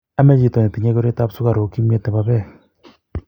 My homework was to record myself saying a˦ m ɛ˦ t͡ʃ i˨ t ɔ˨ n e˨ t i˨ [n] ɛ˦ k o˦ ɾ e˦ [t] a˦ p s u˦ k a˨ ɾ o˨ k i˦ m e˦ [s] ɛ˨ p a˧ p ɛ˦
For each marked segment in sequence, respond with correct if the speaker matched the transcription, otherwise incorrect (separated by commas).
incorrect, correct, incorrect